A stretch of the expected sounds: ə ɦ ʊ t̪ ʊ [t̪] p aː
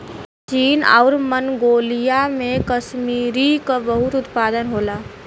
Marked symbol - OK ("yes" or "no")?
yes